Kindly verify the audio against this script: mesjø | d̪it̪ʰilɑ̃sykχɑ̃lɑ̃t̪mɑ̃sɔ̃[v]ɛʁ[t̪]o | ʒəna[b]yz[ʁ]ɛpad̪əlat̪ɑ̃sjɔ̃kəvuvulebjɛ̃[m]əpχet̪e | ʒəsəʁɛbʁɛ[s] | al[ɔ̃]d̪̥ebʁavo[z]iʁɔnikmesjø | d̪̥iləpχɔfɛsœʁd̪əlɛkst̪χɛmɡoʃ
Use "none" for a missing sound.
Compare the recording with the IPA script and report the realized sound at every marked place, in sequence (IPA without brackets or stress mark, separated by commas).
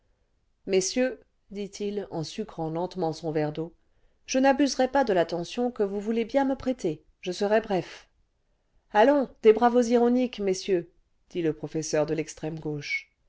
v, d̪, b, ʁ, m, f, ɔ̃, z